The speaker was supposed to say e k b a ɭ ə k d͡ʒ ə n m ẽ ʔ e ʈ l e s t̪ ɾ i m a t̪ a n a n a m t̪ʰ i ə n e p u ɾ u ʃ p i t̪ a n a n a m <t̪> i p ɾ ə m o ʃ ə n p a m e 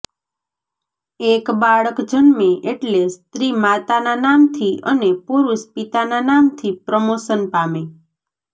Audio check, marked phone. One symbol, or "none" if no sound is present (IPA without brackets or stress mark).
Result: t̪ʰ